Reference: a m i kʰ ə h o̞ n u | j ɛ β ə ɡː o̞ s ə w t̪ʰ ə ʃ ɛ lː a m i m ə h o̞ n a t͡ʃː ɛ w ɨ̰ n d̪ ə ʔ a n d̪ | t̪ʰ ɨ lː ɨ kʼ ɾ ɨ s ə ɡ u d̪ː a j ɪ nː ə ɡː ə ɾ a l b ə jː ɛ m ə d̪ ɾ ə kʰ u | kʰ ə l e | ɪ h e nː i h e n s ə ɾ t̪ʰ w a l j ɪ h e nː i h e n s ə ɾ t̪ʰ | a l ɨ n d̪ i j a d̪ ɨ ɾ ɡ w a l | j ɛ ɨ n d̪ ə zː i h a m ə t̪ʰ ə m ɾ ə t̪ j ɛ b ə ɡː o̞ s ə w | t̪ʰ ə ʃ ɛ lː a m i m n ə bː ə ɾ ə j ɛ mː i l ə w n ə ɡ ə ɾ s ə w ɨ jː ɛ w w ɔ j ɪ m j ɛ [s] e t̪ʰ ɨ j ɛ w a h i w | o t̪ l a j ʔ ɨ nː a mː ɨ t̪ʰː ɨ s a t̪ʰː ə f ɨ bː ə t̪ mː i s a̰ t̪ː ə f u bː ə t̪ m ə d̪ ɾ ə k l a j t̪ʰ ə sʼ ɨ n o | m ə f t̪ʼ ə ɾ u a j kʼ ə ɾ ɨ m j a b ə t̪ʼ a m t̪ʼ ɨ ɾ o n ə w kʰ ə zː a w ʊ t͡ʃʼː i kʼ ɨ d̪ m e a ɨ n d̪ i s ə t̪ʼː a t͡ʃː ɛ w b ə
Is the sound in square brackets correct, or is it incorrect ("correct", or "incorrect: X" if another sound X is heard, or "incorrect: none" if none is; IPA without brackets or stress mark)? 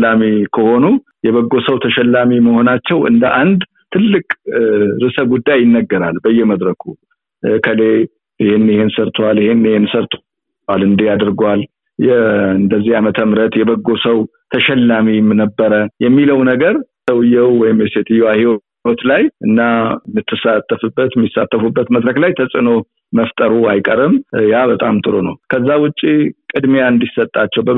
correct